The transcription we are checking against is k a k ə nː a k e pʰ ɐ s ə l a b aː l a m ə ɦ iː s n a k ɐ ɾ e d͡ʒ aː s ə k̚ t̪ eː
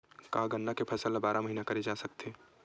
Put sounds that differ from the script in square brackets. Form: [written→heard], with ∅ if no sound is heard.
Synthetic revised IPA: k a [k→ɡ] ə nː a k e pʰ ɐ s ə l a b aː [l→ɾ] a m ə ɦ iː [s→∅] n a k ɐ ɾ e d͡ʒ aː s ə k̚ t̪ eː